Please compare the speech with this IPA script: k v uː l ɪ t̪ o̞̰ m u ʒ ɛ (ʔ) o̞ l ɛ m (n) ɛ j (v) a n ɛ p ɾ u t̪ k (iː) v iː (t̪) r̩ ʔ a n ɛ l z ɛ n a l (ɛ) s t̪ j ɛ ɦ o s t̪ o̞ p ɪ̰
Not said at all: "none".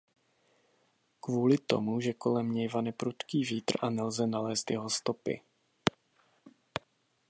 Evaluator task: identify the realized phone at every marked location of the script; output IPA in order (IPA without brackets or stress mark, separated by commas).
k, ɲ, v, iː, t̪, ɛː